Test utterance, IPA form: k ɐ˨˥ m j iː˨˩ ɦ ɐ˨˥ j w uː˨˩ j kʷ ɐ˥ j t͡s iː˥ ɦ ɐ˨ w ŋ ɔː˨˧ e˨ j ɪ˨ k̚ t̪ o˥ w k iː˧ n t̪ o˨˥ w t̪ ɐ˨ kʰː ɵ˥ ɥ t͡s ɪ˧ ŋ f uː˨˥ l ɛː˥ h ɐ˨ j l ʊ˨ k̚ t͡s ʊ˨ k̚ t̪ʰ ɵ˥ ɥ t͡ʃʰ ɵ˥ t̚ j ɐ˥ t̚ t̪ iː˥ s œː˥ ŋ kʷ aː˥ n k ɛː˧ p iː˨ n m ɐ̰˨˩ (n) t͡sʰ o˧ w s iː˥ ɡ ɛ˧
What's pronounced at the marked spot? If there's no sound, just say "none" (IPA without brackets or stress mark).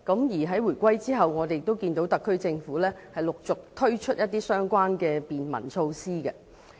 n